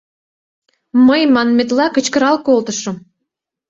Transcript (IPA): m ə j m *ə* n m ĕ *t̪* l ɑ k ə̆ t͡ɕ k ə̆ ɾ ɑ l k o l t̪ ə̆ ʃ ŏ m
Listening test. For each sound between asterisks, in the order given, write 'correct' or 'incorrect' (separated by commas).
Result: incorrect, correct